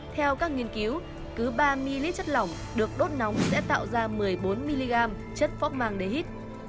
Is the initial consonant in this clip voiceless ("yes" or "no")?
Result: yes